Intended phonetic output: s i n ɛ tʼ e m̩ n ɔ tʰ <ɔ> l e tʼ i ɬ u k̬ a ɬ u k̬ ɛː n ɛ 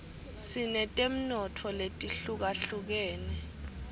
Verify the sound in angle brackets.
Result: correct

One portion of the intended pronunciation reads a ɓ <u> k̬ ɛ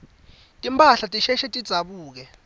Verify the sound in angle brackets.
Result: incorrect: uː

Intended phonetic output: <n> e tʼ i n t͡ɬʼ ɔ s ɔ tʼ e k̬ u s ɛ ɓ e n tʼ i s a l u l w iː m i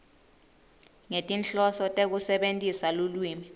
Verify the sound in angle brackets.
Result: incorrect: ŋ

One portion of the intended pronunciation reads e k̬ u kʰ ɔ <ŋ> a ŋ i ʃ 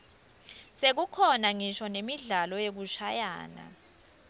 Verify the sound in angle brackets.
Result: incorrect: n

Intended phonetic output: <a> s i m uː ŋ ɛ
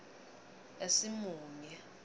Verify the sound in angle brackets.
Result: incorrect: e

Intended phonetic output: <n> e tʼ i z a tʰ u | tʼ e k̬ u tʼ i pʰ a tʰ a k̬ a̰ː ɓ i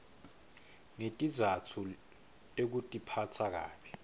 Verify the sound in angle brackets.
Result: incorrect: ŋ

